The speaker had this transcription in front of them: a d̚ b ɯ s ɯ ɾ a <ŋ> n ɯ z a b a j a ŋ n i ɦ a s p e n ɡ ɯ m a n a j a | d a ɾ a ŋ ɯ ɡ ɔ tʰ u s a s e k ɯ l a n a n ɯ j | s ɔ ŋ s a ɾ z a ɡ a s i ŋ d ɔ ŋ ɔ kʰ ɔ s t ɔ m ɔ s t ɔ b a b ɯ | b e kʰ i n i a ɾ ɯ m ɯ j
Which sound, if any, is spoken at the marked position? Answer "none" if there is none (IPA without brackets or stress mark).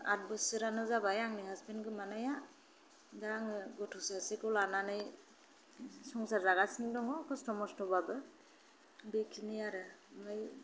none